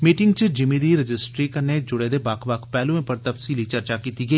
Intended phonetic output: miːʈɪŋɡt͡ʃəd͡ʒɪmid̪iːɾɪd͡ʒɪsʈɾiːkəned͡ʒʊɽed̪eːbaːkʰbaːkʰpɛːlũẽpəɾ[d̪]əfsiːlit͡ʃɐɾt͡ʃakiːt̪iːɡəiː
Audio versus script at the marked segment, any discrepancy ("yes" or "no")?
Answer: yes